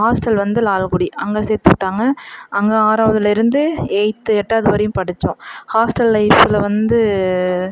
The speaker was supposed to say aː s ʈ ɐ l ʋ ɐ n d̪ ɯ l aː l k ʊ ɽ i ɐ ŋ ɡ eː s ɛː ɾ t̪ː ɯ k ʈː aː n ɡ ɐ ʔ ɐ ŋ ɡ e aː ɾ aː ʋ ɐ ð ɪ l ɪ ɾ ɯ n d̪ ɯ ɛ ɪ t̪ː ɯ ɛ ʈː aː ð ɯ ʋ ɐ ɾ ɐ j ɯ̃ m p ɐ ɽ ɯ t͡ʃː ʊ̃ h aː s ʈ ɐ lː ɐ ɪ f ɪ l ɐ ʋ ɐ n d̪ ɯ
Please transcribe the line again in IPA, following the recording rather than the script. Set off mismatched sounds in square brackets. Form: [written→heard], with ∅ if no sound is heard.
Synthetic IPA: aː s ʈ ɐ l ʋ ɐ n d̪ ɯ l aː l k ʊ ɽ i ɐ ŋ ɡ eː s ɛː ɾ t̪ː ɯ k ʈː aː [n→ŋ] ɡ ɐ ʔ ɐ ŋ ɡ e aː ɾ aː ʋ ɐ ð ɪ l ɪ ɾ ɯ n d̪ ɯ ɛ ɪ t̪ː ɯ ɛ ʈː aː ð ɯ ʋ ɐ ɾ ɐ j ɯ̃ m p ɐ ɽ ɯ t͡ʃː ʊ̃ h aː s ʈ ɐ lː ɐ ɪ f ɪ l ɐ ʋ ɐ n d̪ ɯ